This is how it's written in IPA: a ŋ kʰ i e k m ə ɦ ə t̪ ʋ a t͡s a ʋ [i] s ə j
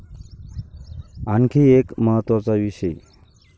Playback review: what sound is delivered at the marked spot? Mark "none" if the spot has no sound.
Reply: i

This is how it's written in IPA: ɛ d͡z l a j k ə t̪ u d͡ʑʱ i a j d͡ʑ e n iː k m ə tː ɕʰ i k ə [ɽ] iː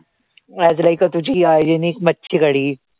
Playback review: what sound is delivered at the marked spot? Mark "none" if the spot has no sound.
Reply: ɽ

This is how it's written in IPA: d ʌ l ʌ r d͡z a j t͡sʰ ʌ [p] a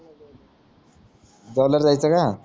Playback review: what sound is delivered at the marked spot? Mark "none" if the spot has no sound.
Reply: k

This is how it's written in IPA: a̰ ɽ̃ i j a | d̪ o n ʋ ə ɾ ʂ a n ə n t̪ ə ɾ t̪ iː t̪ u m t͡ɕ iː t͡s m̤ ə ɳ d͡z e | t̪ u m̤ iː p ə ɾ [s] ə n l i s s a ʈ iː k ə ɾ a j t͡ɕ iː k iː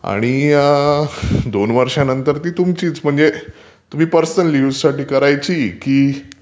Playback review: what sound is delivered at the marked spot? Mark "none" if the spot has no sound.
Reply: s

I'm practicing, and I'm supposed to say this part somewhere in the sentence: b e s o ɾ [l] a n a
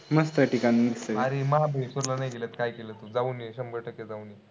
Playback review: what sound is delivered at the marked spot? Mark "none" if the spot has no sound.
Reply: l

